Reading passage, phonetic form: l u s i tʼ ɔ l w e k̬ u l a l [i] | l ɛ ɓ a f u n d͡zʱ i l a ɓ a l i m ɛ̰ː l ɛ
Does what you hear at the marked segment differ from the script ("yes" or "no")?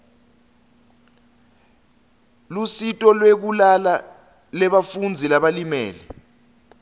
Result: yes